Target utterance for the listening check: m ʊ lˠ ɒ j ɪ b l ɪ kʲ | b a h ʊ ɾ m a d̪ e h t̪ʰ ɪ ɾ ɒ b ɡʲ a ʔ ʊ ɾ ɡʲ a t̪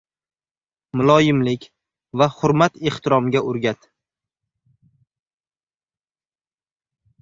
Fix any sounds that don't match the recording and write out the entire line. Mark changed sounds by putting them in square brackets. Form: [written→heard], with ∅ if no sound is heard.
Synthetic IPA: m ʊ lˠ ɒ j ɪ [b→m] l ɪ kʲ | [b→v] a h ʊ ɾ m a [d̪→t̪] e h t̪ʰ ɪ ɾ ɒ [b→m] ɡʲ a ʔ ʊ ɾ ɡʲ a t̪